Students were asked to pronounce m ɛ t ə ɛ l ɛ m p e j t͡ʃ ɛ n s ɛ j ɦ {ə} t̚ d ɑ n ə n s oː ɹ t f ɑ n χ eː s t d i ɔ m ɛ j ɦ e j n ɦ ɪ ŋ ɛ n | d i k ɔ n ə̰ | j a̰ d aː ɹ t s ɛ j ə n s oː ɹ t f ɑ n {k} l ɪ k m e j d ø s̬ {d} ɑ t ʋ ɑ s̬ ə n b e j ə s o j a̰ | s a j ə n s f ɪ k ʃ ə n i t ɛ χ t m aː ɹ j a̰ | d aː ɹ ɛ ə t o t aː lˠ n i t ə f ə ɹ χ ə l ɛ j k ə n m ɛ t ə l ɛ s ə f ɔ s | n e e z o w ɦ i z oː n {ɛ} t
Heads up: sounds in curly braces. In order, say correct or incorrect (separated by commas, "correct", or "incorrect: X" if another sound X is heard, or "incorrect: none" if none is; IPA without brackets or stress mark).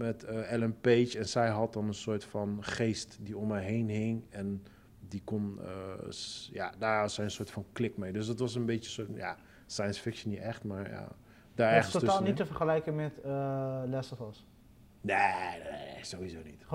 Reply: incorrect: ɑ, correct, correct, incorrect: i